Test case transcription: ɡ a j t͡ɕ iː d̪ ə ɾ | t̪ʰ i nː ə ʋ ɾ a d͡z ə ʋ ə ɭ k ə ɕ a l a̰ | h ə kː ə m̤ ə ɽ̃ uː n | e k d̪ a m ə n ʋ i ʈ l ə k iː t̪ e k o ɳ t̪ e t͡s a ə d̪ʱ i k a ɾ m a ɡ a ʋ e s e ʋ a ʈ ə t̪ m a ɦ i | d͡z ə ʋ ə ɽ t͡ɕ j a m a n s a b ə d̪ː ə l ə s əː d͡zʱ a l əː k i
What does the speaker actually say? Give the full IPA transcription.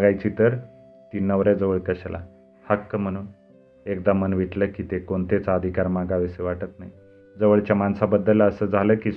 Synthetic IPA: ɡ a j t͡ɕ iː t̪ ə ɾ | t̪ i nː ə ʋ ɾ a d͡z ə ʋ ə ɭ k ə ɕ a l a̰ | h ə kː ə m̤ ə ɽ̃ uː n | e k d̪ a m ə n ʋ i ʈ l ə k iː t̪ e k o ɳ t̪ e t͡s a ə d̪ʱ i k a ɾ m a ɡ a ʋ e s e ʋ a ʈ ə t̪ n a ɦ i | d͡z ə ʋ ə ɭ t͡ɕ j a m a n s a b ə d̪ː ə l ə s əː d͡zʱ a l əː k i